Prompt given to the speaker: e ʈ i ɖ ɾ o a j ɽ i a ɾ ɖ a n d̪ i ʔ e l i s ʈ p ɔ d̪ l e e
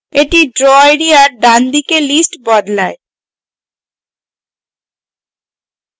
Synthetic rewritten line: e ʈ i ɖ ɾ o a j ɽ i a ɾ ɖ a n d̪ i k e l i s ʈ b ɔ d̪ l a e